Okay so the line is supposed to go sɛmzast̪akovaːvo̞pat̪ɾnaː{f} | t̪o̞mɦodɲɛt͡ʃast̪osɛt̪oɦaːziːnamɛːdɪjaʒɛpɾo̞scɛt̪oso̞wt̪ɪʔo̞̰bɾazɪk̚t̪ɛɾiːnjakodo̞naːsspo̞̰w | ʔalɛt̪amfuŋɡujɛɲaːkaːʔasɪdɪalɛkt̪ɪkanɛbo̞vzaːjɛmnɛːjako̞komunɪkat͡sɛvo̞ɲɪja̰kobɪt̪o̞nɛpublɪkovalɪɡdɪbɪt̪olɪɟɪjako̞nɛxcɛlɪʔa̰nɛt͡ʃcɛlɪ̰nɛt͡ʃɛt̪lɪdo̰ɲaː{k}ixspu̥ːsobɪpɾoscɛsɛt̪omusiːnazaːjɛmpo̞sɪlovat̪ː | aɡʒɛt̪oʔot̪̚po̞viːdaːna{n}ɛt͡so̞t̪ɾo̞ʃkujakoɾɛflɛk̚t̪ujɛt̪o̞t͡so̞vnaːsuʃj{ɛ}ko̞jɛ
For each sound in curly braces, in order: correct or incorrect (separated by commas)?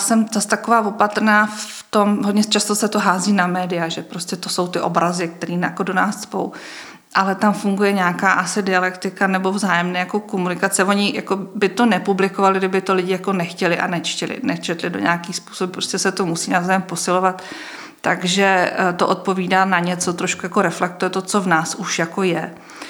correct, correct, incorrect, incorrect